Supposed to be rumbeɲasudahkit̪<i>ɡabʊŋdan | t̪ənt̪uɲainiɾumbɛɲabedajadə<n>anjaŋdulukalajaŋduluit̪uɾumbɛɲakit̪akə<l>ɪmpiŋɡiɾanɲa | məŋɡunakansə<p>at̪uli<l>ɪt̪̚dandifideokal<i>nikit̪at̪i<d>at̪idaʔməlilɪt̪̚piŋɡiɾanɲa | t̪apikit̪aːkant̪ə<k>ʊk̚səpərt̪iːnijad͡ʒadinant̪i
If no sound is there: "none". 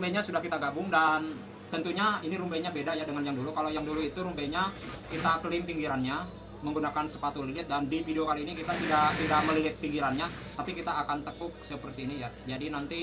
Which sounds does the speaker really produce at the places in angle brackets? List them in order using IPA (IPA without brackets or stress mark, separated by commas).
a, ŋ, l, p, l, iː, d, k